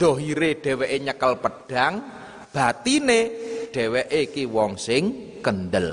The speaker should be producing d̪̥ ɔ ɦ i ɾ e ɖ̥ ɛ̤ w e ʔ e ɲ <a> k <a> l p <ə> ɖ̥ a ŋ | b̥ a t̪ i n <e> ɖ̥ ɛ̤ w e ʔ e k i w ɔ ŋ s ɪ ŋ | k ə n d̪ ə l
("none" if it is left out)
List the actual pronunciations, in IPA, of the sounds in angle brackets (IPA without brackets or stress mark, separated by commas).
ə, ə, ə, e